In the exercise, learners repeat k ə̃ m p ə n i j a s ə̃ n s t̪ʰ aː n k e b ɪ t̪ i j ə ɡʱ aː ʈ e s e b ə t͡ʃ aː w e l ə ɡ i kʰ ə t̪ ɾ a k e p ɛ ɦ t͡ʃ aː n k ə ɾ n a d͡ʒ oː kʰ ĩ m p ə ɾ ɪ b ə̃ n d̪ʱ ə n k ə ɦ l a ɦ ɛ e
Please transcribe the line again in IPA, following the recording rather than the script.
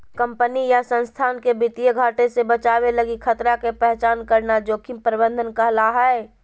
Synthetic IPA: k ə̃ m p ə n i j a s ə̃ n s t̪ʰ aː n k e b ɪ t̪ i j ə ɡʱ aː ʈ e s e b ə t͡ʃ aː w e l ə ɡ i kʰ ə t̪ ɾ a k e p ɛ ɦ t͡ʃ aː n k ə ɾ n a d͡ʒ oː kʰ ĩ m p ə ɾ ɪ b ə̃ n d̪ʱ ə n k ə ɦ l a ɦ ɛ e